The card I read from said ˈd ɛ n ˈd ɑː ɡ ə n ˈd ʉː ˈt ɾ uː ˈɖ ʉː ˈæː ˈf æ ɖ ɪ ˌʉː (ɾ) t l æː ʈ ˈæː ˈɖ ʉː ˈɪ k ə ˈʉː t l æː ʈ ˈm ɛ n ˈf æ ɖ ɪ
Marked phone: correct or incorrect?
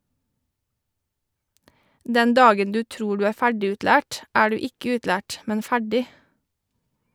incorrect: none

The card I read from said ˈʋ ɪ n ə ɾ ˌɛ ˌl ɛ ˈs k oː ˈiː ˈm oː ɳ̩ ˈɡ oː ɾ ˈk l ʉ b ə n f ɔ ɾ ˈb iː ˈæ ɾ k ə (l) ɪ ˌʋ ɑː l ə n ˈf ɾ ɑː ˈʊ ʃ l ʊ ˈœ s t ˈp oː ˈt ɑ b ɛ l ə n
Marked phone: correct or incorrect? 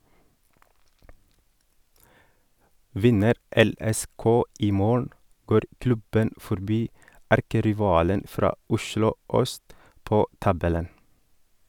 incorrect: ɾ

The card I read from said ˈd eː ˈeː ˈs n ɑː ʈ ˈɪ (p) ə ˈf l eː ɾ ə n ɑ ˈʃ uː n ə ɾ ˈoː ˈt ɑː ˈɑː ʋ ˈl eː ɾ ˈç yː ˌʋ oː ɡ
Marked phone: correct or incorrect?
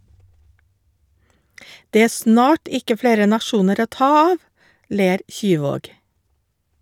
incorrect: k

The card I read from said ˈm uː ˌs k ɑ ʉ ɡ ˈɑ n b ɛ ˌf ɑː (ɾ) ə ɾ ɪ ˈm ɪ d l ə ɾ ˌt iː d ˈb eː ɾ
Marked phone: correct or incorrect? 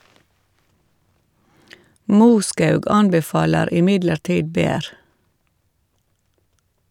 incorrect: l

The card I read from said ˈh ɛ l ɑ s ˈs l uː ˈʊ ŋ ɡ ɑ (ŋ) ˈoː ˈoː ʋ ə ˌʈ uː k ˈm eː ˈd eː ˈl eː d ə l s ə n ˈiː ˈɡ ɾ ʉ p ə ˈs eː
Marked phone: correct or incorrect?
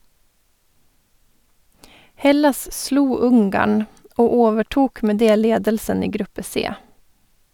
incorrect: ɳ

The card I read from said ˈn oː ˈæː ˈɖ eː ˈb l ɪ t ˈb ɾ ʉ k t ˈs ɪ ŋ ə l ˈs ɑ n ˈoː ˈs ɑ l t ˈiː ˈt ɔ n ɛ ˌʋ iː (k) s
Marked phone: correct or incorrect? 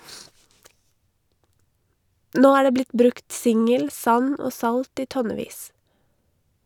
incorrect: none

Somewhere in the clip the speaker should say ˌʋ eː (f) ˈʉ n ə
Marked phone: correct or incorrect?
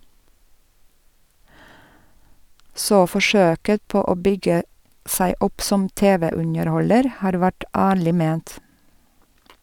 incorrect: none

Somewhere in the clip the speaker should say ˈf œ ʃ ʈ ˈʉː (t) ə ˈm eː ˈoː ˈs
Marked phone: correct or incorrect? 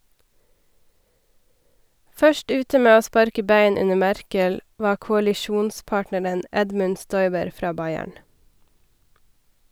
correct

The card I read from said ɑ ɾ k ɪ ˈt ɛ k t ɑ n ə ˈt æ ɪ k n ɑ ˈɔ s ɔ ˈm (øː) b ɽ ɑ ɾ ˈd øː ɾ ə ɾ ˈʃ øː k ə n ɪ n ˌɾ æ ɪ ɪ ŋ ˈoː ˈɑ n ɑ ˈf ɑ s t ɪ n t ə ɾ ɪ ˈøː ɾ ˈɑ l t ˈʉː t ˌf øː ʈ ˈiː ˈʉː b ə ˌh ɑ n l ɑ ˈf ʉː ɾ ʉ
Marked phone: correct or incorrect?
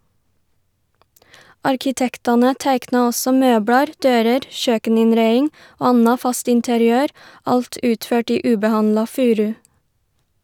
correct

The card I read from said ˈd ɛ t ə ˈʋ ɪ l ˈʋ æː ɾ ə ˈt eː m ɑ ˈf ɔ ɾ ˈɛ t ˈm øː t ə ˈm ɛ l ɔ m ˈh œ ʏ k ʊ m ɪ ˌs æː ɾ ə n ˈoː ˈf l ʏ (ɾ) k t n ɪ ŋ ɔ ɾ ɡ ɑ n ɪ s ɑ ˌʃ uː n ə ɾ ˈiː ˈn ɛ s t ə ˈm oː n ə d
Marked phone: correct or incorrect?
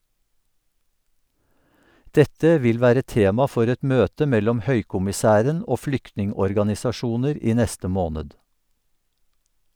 incorrect: none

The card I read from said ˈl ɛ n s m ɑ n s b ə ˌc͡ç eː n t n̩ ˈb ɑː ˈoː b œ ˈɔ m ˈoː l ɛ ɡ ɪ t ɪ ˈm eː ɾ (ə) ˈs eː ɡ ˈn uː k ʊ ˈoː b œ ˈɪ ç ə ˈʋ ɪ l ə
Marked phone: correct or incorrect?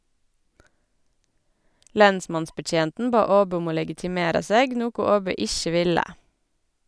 incorrect: ɑ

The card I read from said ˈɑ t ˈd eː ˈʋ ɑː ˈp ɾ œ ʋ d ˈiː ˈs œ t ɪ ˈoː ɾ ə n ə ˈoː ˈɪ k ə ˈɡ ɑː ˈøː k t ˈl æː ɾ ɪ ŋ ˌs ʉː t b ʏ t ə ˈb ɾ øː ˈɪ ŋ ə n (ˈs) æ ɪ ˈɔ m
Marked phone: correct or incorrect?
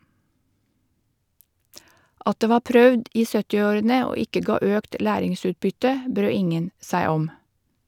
correct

